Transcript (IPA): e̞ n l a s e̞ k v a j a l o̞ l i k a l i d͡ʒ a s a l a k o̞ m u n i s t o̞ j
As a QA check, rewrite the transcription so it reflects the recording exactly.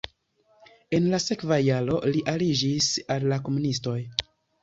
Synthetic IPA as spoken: e̞ n l a s e̞ k v a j a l o̞ l i ʔ a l i d͡ʒ i s a lː a k o̞ m u n i s t o̞ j